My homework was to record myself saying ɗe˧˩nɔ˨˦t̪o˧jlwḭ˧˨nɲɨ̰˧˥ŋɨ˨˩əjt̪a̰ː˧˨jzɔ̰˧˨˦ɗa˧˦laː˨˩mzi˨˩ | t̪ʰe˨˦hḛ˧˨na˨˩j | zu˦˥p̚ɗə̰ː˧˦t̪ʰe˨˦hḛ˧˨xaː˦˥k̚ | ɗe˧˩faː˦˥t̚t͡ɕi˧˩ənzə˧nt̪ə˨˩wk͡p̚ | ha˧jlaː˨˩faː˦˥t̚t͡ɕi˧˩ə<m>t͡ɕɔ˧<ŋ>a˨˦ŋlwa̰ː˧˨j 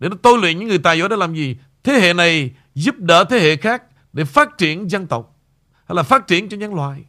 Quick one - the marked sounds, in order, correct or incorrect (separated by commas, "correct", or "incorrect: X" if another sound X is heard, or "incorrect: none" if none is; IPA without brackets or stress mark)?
incorrect: n, incorrect: ɲ